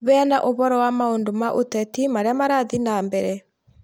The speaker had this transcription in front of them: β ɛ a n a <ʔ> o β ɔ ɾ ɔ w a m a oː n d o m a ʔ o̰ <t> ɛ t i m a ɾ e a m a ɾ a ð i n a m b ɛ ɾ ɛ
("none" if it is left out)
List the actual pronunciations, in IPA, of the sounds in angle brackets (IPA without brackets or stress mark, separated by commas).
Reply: ʔ, t